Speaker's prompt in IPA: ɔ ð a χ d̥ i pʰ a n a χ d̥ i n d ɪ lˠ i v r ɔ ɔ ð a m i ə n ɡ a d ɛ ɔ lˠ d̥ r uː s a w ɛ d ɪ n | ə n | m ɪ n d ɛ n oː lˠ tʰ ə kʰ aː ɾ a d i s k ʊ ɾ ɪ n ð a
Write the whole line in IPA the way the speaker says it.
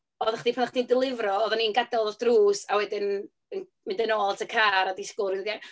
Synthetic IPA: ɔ ð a χ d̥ i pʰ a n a χ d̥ i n d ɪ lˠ ɪ v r ɔ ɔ ð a n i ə n ɡ a d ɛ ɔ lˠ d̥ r uː s a w ɛ d ɪ n | ə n | m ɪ n d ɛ n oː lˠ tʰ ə kʰ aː ɾ a d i s k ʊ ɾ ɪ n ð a